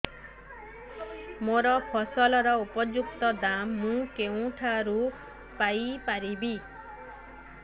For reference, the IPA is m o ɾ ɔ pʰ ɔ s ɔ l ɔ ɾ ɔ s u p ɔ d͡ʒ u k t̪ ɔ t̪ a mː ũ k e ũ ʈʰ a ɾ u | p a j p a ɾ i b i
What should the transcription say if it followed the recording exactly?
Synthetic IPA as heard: m o ɾ ɔ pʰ ɔ s ɔ l ɔ ɾ ɔ u p ɔ d͡ʒ u k t̪ ɔ d̪ a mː ũ k e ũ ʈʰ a ɾ u | p a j p a ɾ i b i

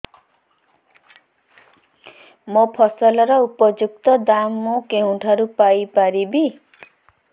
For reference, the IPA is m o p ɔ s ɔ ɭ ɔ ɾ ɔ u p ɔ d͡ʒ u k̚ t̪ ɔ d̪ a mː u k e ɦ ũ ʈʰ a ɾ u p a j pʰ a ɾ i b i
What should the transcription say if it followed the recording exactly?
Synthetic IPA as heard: m o pʰ ɔ s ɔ l ɔ ɾ ɔ u p ɔ d͡ʒ u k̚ t̪ ɔ d̪ a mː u k e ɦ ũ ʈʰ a ɾ u p a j p a ɾ i b i

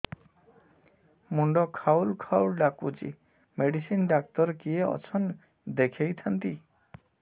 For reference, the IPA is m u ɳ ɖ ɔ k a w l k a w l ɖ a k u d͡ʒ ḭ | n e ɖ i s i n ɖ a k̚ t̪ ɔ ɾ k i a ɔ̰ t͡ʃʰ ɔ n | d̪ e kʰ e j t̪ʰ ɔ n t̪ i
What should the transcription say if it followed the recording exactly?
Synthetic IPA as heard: m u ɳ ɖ ɔ kʰ a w l kʰ a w l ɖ a k u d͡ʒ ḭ | m e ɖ i s i n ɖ a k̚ t̪ ɔ ɾ k i e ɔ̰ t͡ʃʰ ɔ n | d̪ e kʰ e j t̪ʰ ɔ n t̪ i

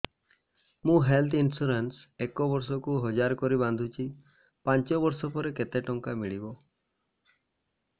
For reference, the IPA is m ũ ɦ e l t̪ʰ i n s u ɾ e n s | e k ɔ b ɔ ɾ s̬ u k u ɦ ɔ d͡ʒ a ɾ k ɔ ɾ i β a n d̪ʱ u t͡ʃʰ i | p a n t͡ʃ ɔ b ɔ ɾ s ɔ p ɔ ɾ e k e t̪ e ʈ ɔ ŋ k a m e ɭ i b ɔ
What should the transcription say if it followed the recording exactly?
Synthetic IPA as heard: m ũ ɦ e l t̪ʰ i n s u ɾ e n s | e k ɔ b ɔ ɾ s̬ ɔ k u ɦ ɔ d͡ʒ a ɾ k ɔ ɾ i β a n d̪ʱ u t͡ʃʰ i | p a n t͡ʃ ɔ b ɔ ɾ s ɔ p ɔ ɾ e k e t̪ e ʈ ɔ ŋ k a m i ɭ i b ɔ

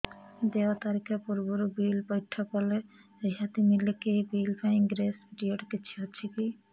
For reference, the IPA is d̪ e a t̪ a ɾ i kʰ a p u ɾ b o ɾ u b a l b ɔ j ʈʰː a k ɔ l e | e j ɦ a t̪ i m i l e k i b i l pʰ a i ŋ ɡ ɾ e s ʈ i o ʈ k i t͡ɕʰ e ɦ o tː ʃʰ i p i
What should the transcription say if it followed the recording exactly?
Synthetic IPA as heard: d̪ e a t̪ a ɾ i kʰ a p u ɾ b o ɾ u b i l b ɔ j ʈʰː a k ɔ l e | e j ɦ a t̪ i m i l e k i b i l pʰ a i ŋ ɡ ɾ e s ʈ i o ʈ k i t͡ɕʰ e ɦ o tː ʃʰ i k i

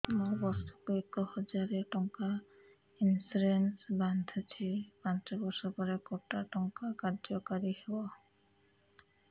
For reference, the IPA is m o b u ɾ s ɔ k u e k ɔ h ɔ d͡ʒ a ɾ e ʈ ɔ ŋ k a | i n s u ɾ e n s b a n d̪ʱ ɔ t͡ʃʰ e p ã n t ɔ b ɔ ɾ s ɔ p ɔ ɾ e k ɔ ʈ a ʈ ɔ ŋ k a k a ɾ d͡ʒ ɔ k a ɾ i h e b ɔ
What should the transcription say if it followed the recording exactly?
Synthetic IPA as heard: m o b ɔ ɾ s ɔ k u e k ɔ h ɔ d͡ʒ a ɾ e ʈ ɔ ŋ k a | i n s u ɾ e n s b a n d̪ʱ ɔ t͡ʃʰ i p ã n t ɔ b ɔ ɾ s ɔ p ɔ ɾ e k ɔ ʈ a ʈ ɔ ŋ k a k a ɾ d͡ʒ ɔ k a ɾ i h e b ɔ

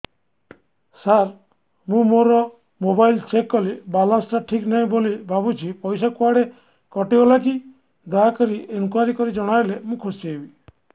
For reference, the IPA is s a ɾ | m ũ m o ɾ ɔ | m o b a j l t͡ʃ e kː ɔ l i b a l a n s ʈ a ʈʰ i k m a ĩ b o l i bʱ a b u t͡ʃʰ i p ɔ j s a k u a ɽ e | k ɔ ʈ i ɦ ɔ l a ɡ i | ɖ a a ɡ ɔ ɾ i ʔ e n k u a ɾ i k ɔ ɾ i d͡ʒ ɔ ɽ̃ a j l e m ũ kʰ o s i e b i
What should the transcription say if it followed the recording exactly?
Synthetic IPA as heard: s a ɾ | m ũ m o ɾ ɔ | m o b a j l t͡ʃ e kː ɔ l i b a l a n s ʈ a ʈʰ i k n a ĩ b o l i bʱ a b u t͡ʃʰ i p ɔ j s a k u a ɽ e | k ɔ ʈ i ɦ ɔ l a k i | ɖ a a k ɔ ɾ i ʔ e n k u a ɾ i k ɔ ɾ i d͡ʒ ɔ ɽ̃ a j l e m ũ kʰ o s i e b i

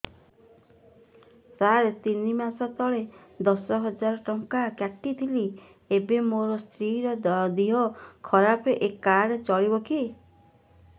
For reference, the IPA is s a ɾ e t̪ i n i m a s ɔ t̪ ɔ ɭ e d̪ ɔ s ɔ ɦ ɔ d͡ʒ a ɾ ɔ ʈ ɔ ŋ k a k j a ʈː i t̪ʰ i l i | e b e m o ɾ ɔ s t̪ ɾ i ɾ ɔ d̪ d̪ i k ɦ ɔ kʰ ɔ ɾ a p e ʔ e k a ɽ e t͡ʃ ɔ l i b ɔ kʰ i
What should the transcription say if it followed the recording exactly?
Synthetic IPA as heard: s a ɾ e t̪ i n i m a s ɔ t̪ ɔ ɭ e d̪ ɔ s ɔ ɦ ɔ d͡ʒ a ɾ ɔ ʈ ɔ ŋ k a k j a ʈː i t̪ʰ i l i | e b e m o ɾ ɔ s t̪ ɾ i ɾ ɔ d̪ d̪ i ɦ ɔ kʰ ɔ ɾ a p e ʔ e k a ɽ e t͡ʃ ɔ ɭ i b ɔ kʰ i

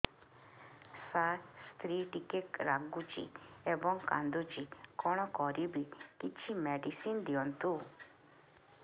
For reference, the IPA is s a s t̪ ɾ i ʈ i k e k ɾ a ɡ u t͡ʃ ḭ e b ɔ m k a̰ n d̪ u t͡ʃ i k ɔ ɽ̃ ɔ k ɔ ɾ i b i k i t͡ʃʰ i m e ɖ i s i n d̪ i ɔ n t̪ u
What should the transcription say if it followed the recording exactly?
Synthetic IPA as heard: s a s t̪ ɾ i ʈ i k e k ɾ a ɡ u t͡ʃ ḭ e b ɔ ŋ k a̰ n d̪ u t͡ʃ i k ɔ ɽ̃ ɔ k ɔ ɾ i b i k i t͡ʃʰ i m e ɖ i s i n d̪ i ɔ n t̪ u

